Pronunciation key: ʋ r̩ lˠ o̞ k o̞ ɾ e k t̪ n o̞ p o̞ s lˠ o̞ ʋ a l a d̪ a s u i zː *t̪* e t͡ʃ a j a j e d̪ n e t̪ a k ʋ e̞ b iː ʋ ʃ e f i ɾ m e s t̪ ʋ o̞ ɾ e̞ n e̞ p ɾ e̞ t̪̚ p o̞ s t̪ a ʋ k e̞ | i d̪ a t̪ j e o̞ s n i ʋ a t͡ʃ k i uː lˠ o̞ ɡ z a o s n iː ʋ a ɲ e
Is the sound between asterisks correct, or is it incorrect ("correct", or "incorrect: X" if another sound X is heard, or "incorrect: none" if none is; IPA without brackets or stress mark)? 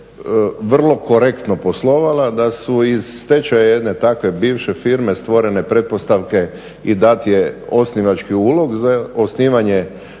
correct